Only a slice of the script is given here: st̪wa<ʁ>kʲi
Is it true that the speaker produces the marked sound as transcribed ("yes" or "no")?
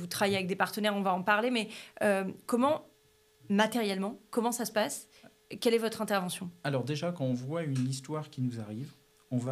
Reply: yes